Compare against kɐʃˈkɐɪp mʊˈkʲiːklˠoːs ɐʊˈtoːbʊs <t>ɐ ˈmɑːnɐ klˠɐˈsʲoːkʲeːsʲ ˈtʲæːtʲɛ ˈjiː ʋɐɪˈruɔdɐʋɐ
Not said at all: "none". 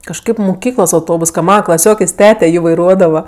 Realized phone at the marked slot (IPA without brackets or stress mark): k